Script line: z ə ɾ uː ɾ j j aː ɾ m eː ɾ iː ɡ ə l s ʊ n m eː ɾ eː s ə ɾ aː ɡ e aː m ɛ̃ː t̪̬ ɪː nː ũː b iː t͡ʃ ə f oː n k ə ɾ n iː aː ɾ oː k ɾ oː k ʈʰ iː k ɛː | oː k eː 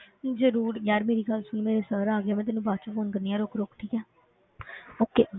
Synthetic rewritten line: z ə ɾ uː ɾ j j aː ɾ m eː ɾ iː ɡ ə l s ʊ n m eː ɾ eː s ə ɾ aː ɡ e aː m ɛ̃ː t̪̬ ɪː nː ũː b aː t͡ʃ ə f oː n k ə ɾ n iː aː ɾ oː k ɾ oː k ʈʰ iː k ɛː | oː k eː